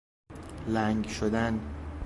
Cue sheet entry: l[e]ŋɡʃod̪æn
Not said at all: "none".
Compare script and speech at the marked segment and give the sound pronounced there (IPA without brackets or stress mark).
æ